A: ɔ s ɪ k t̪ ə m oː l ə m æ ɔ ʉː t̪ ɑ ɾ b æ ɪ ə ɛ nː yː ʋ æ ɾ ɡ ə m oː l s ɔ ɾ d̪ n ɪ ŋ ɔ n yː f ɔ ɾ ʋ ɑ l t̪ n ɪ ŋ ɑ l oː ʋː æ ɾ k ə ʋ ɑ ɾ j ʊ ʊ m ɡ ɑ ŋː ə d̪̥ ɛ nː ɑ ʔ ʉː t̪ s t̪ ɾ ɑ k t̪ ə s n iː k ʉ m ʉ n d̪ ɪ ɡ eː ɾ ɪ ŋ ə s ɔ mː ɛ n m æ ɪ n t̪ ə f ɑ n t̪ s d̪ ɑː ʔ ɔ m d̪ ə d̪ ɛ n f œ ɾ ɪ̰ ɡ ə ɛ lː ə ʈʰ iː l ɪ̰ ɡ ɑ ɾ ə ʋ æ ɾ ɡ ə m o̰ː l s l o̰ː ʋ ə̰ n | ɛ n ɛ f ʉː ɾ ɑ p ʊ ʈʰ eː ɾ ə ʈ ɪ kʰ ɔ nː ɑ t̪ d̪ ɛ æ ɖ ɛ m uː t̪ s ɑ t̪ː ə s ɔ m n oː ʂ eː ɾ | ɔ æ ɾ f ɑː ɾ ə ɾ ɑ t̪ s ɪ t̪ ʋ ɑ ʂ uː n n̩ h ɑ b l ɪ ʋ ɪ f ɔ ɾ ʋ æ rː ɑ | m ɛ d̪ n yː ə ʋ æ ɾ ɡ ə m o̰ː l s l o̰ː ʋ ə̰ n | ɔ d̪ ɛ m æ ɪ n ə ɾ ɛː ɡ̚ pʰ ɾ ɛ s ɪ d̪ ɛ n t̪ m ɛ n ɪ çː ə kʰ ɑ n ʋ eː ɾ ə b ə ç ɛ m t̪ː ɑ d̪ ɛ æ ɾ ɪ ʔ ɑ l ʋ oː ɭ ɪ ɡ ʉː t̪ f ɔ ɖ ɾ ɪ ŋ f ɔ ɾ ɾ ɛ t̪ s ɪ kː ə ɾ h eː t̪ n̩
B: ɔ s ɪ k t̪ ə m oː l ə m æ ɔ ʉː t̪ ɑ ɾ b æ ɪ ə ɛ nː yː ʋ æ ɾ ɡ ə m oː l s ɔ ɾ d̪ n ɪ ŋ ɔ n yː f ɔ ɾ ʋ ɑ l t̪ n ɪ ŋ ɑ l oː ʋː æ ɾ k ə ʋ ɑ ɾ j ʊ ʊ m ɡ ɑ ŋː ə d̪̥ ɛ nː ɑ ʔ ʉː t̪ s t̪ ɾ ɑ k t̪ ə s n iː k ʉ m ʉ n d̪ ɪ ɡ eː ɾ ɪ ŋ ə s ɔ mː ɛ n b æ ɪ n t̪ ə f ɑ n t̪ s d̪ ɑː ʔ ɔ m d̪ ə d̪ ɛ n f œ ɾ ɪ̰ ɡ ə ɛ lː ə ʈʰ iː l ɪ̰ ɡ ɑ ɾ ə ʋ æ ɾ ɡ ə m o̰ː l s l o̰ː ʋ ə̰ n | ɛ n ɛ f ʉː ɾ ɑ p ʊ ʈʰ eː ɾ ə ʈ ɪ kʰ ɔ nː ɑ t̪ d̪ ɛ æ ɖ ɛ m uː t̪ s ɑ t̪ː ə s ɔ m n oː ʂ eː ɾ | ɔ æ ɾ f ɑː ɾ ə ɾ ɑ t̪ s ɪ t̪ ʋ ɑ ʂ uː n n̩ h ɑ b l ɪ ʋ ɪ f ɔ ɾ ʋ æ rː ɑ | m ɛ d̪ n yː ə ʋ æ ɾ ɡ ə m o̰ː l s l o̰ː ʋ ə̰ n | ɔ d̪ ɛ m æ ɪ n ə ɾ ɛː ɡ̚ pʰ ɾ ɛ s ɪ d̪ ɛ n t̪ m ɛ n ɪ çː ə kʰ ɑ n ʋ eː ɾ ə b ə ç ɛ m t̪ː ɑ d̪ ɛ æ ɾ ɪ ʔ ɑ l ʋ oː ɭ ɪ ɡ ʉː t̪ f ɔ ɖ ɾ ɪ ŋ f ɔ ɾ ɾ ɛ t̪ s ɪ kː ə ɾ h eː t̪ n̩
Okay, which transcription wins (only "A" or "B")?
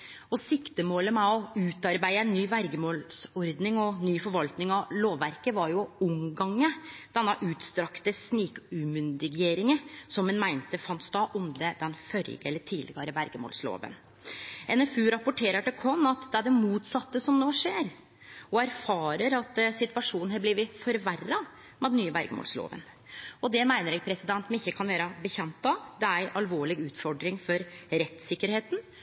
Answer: A